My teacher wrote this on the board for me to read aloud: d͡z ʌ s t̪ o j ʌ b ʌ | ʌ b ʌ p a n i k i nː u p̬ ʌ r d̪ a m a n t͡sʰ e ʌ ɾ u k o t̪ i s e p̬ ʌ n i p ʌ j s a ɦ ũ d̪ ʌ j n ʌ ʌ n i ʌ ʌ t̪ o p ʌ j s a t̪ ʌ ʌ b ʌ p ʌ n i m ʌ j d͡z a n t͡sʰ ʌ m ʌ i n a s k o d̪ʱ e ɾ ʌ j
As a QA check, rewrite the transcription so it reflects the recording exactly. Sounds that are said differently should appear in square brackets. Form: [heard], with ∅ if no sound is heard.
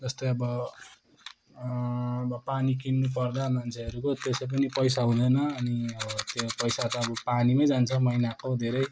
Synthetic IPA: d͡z ʌ s t̪ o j ʌ b ʌ | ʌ b ʌ p a n i k i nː u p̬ ʌ r d̪ a m a n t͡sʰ e ʌ ɾ u k o t̪ [e] s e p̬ ʌ n i p ʌ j s a ɦ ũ d̪ ʌ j n ʌ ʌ n i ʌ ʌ t̪ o p ʌ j s a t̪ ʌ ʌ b ʌ p [a] n i m ʌ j d͡z a n t͡sʰ ʌ m ʌ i n a [∅] k o d̪ʱ e ɾ ʌ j